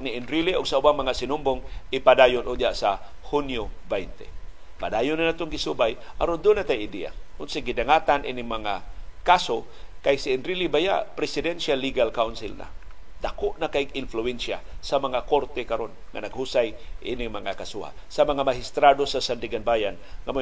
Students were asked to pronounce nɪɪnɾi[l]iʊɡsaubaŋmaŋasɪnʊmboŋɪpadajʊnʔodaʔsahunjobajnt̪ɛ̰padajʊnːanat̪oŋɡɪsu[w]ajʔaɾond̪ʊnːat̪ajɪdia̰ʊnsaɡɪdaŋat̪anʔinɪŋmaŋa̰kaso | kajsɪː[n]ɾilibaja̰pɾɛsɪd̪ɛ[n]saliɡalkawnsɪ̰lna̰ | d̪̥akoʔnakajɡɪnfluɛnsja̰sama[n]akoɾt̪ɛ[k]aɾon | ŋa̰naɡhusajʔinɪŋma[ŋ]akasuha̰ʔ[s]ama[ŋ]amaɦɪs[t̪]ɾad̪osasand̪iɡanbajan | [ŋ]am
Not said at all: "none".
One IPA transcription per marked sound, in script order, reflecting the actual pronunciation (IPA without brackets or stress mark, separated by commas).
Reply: l, b, n, n, ŋ, k, ŋ, s, ŋ, t̪, ŋ